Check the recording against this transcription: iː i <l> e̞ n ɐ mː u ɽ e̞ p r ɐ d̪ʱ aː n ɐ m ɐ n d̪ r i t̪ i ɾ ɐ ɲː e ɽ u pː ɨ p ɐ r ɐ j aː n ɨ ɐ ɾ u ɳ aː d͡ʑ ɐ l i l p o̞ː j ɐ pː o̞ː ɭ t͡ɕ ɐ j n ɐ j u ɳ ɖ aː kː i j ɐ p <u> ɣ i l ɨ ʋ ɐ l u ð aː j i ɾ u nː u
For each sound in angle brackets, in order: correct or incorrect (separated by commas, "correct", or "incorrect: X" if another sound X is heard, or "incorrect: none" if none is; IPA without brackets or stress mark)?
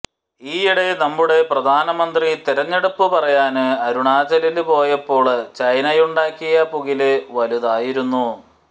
incorrect: ɽ, correct